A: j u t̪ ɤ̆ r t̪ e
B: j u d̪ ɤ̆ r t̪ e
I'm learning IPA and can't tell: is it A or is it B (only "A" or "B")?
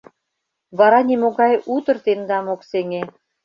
A